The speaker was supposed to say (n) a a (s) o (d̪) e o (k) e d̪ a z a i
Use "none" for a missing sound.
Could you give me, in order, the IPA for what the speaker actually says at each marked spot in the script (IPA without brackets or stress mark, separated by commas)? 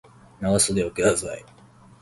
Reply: n, s, d̪, k